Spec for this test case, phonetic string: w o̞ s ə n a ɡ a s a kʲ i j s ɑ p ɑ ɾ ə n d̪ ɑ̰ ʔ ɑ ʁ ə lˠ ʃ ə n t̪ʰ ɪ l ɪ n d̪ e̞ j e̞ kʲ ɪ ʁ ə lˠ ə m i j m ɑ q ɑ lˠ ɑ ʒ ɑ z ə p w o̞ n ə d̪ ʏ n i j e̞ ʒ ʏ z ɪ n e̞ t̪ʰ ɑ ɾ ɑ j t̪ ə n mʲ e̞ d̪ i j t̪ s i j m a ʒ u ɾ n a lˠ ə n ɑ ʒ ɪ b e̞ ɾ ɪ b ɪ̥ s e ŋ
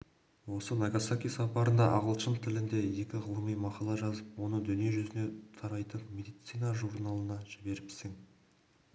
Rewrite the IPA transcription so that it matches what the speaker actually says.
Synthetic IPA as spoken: w o̞ s ə n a ɡ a s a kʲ i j s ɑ p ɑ ɾ ə n d̪ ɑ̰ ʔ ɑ ʁ ə lˠ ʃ ə n t̪ʰ ɪ l ɪ n d̪ e̞ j e̞ kʲ ɪ ʁ ə lˠ ə m i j m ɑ q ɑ lˠ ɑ ʒ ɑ z ə p w o̞ n ə d̪ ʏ n i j e̞ ʒ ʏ z ɪ n e̞ t̪ʰ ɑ ɾ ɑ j t̪ ə n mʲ e̞ d̪ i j t̪ s i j n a ʒ u ɾ n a lˠ ə n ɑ ʒ ɪ b e̞ ɾ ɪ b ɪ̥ s e ŋ